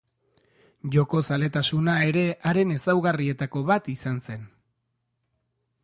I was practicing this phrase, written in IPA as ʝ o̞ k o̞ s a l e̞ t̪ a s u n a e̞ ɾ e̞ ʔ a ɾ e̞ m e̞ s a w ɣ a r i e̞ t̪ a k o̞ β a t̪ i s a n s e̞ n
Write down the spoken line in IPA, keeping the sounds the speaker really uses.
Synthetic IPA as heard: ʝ o̞ k o̞ s a l e̞ t̪ a s u n a e̞ ɾ e̞ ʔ a ɾ e̞ n e̞ s a w ɣ a r i e̞ t̪ a k o̞ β a t̪ i s a n s e̞ n